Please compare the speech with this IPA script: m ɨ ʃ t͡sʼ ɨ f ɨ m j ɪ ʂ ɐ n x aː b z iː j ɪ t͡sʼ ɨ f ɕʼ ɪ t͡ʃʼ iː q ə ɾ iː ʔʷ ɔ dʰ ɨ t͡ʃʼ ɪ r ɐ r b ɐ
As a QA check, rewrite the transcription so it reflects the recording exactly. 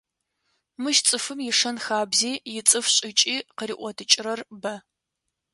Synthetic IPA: m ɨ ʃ t͡sʼ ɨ f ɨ m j ɪ ʂ ɐ n x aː b z iː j ɪ t͡sʼ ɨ f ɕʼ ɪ t͡ʃʼ iː q ə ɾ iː ʔʷ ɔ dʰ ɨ t͡ʃʼ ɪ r ɐ r b ɐ